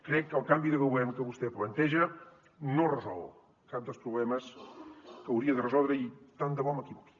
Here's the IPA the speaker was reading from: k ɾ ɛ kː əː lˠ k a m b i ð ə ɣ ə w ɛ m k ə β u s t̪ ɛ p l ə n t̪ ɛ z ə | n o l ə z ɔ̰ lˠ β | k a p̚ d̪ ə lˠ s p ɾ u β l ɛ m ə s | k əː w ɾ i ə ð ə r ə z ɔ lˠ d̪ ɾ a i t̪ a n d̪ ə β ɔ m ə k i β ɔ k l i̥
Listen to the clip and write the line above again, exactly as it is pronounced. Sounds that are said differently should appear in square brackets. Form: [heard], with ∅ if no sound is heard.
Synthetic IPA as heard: k ɾ ɛ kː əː lˠ k a m b i ð ə ɣ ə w ɛ m k ə β u s t̪ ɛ p l ə n t̪ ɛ [ʒ] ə | n o [r] ə z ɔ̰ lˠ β | k a p̚ d̪ ə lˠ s p ɾ u β l ɛ m ə s | k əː w ɾ i ə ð ə r ə z ɔ lˠ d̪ ɾ [ə] i t̪ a n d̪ ə β ɔ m ə k i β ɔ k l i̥

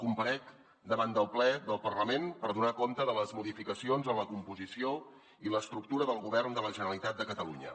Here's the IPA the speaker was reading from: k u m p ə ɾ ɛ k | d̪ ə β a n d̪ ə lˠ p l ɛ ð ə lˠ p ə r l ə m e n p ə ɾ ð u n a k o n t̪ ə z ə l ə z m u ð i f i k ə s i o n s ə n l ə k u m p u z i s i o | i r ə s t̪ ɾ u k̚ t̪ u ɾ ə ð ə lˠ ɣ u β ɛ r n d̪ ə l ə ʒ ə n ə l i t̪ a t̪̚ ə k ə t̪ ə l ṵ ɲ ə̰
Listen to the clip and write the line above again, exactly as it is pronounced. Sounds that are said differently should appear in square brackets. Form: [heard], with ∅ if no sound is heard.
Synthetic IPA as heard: k u m p ə ɾ ɛ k | d̪ ə β a n d̪ ə lˠ p l ɛ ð ə lˠ p ə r l ə m e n p ə ɾ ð u n a k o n t̪ ə [ð] ə l ə z m u ð i f i k ə s i o n [z] ə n l ə k u m p u z i s i o | i [l] ə s t̪ ɾ u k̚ t̪ u ɾ ə ð ə lˠ ɣ u β ɛ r n d̪ ə l ə ʒ ə n ə l i t̪ a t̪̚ ə k ə t̪ ə l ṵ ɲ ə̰

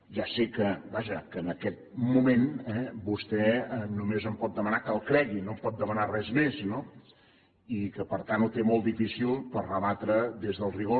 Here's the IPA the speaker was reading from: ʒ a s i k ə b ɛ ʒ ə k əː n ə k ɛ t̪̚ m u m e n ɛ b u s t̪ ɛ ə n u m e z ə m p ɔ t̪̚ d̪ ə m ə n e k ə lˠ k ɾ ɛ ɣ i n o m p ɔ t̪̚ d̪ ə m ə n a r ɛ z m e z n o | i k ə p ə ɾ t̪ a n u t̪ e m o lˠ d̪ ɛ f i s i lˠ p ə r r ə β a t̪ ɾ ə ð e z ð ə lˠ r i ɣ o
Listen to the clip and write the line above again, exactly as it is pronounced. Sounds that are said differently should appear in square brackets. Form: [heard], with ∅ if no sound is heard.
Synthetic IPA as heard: ʒ a s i k ə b [a] ʒ ə k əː n ə k ɛ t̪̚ m u m e n ɛ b u s t̪ ɛ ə n u m e z ə m p ɔ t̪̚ d̪ ə m ə n [a] k ə lˠ k ɾ ɛ ɣ i n o m p ɔ t̪̚ d̪ ə m ə n a r ɛ z m e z n o | i k ə p ə ɾ t̪ a n u t̪ e m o lˠ d̪ [i] f i s i lˠ p ə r r ə β a t̪ ɾ ə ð e z ð ə lˠ r i ɣ o

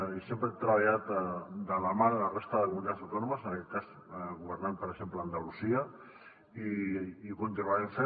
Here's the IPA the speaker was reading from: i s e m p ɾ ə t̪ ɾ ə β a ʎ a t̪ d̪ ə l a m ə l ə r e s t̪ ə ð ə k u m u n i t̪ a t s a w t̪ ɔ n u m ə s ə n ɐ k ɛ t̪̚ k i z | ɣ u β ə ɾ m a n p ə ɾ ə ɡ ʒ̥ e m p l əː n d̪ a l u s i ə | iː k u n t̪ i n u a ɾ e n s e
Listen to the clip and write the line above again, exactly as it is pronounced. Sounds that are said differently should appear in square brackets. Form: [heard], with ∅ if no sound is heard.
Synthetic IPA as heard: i s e m p ɾ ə t̪ ɾ ə β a ʎ a t̪ d̪ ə l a m [a] l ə r e s t̪ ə ð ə k u m u n i t̪ a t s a w t̪ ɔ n u m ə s ə n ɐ k ɛ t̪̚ k [a] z | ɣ u β ə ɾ [n] a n p ə ɾ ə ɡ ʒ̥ e m p l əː n d̪ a l u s i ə | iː k u n t̪ i n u a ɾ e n s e

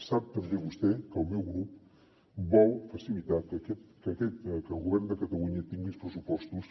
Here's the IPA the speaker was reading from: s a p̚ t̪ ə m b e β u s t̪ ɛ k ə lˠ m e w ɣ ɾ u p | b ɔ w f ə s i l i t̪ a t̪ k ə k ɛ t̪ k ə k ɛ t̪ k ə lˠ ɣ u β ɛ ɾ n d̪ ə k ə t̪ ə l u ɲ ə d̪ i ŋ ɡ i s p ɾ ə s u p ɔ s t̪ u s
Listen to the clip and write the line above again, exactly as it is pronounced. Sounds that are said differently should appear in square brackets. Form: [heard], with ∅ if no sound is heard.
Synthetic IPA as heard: s a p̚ t̪ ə m b e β u s t̪ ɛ k ə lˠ m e w ɣ ɾ u p | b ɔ w f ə s i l i t̪ a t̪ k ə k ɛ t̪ k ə k ɛ t̪ k ə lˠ ɣ u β ɛ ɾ n d̪ ə k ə t̪ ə l u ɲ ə [t̪] i ŋ ɡ i s p ɾ ə s u p ɔ s t̪ u s

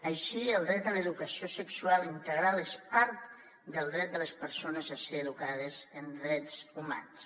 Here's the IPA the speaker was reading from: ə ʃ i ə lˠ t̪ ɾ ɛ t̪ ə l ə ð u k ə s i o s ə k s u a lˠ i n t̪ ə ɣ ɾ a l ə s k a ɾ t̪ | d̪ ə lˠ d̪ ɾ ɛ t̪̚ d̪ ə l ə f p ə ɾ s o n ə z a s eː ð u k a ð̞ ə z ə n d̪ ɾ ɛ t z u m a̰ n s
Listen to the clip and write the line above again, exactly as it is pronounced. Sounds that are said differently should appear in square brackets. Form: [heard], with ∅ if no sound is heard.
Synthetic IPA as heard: ə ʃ i ə lˠ [d̪] ɾ ɛ t̪ ə l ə ð u k ə s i o s ə k s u a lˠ i n t̪ ə ɣ ɾ a l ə s [p] a ɾ t̪ | d̪ ə lˠ d̪ ɾ ɛ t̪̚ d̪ ə l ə [s] p ə ɾ s o n ə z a s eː ð u k a ð̞ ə z ə n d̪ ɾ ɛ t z u m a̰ n s

